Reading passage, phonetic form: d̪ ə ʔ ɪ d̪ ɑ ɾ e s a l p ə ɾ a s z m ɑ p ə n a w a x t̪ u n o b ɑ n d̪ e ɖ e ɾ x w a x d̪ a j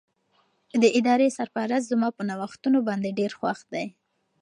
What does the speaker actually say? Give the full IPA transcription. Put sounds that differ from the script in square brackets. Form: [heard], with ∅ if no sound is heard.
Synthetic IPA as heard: d̪ ə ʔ ɪ d̪ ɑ ɾ e s a [ɾ] p [a] ɾ a s z m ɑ p ə n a w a x t̪ u n o b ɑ n d̪ e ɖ e ɾ x w a x d̪ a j